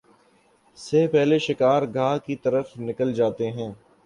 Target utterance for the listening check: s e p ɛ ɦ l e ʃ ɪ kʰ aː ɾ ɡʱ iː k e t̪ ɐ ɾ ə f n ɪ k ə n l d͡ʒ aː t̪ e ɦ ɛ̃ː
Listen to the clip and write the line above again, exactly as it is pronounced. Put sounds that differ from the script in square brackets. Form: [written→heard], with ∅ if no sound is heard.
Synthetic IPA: s e p ɛ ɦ l e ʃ ɪ [kʰ→k] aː ɾ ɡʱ [iː→aː] k [e→i] t̪ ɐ ɾ ə f n ɪ k ə [n→∅] l d͡ʒ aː t̪ e ɦ ɛ̃ː